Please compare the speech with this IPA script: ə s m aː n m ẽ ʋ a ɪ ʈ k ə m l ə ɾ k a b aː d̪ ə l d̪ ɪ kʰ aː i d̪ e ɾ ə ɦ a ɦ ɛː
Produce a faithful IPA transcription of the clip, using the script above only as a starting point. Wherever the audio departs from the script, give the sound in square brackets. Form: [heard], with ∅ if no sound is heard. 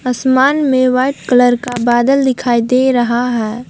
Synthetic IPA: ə s m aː n m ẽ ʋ a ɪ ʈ k ə [∅] l ə ɾ k a b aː d̪ ə l d̪ ɪ kʰ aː i d̪ e ɾ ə ɦ a ɦ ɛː